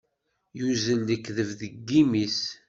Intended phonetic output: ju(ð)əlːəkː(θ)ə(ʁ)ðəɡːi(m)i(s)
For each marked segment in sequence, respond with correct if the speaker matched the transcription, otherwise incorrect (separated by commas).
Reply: incorrect, incorrect, incorrect, correct, correct